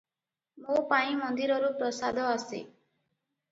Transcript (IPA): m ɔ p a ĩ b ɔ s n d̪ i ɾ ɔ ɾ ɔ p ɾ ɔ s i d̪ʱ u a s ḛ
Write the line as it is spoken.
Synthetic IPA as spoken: m o p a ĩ m ɔ n d̪ i ɾ ɔ ɾ u p ɾ ɔ s a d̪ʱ ɔ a s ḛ